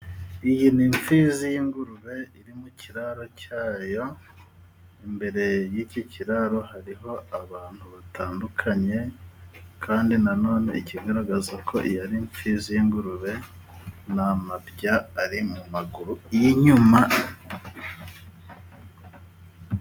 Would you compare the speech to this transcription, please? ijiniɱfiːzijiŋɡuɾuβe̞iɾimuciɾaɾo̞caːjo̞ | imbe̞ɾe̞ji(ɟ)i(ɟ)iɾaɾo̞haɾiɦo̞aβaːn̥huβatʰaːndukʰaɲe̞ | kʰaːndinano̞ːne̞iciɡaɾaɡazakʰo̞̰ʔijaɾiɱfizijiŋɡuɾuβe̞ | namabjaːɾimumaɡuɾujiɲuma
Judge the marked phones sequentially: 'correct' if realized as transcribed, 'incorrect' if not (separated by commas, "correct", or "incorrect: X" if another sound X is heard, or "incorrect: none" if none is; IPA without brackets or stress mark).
incorrect: c, incorrect: c